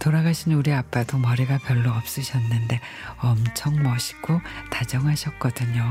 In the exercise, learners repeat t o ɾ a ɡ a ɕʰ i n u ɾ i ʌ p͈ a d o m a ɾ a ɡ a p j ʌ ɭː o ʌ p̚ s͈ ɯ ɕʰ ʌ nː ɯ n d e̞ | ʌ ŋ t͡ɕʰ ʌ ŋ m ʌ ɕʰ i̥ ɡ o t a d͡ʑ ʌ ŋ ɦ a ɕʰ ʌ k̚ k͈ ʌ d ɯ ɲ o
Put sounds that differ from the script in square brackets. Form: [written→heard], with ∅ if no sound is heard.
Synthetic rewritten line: t o ɾ a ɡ a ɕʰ i n u ɾ i [ʌ→a] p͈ a d o m [a→ʌ] ɾ [a→i] ɡ a p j ʌ ɭː o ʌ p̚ s͈ ɯ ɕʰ ʌ nː ɯ n d e̞ | ʌ [ŋ→m] t͡ɕʰ ʌ ŋ m ʌ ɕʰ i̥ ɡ o t a d͡ʑ ʌ ŋ ɦ a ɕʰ ʌ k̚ k͈ ʌ d ɯ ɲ o